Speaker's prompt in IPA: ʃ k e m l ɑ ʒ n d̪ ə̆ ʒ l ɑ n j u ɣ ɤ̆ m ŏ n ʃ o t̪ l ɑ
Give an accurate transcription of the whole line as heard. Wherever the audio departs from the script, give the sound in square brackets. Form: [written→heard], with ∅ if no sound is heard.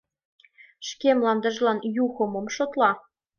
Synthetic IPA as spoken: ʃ k e m l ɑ [ʒ→∅] n d̪ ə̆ ʒ l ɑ n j u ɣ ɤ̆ m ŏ [n→m] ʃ o t̪ l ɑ